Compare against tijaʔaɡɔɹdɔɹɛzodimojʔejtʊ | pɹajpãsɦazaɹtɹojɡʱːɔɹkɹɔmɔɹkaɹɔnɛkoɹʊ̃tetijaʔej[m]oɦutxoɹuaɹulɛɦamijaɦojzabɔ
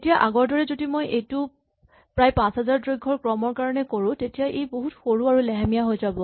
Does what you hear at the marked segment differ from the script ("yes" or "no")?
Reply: yes